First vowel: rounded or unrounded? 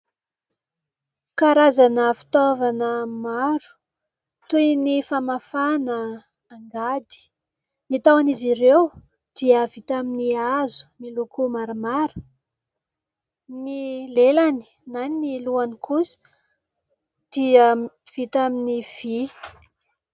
unrounded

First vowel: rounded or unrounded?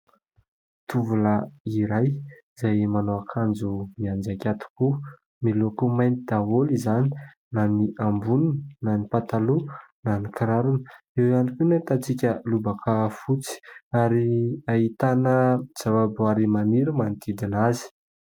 rounded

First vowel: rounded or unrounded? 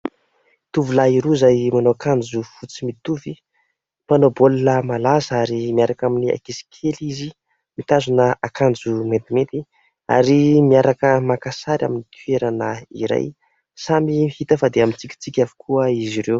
rounded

